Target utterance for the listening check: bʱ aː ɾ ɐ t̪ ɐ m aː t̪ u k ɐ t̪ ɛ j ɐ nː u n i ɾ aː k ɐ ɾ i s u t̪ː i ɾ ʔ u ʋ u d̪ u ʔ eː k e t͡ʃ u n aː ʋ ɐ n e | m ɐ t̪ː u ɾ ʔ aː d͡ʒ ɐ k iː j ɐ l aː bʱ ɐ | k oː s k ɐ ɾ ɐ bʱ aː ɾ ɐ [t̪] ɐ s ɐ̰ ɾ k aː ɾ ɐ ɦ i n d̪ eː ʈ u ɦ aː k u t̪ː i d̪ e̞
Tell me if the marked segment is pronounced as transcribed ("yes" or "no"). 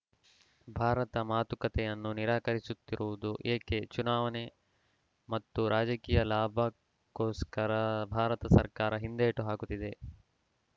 yes